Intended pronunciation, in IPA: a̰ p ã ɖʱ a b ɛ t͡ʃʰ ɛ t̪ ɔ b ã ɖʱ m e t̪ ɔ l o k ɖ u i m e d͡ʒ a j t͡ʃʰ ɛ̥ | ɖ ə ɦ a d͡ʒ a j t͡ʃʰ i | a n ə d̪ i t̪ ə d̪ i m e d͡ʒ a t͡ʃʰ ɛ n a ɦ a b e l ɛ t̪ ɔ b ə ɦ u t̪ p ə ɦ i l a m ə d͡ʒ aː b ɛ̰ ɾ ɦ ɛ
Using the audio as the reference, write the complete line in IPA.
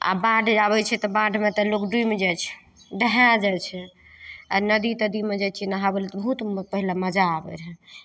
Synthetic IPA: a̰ b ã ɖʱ a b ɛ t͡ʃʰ ɛ t̪ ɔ b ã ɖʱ m e t̪ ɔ l o k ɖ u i m e d͡ʒ a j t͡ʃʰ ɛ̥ | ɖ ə ɦ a d͡ʒ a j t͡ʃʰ ɛ | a n ə d̪ i t̪ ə d̪ i m e d͡ʒ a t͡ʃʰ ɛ n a ɦ a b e l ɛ t̪ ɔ b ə ɦ u t̪ p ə ɦ i l a m ə d͡ʒ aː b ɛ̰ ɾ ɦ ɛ